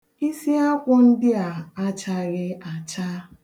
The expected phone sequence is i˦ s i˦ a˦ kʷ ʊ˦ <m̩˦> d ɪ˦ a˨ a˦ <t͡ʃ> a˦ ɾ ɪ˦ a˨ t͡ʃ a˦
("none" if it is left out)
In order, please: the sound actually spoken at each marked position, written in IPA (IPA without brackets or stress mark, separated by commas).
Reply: n̩˦, t͡ʃ